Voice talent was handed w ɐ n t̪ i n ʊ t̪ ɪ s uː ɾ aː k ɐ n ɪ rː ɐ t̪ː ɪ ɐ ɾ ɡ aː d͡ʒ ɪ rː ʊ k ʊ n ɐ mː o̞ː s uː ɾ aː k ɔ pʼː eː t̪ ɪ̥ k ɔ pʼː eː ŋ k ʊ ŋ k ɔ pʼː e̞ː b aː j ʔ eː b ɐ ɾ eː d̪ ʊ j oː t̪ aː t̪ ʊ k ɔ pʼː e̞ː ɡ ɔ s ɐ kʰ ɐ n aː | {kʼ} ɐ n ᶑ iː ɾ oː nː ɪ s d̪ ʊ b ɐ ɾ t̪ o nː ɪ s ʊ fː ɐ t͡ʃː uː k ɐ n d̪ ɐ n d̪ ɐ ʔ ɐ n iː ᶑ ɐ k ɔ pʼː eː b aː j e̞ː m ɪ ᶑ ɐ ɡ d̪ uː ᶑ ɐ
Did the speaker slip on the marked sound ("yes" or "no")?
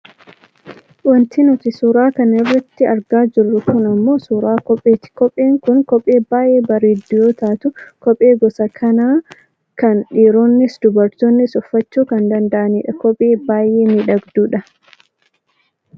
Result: yes